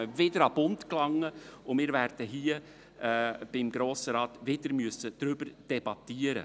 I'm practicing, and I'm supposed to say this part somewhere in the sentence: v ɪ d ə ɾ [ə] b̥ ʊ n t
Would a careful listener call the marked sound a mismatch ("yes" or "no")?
yes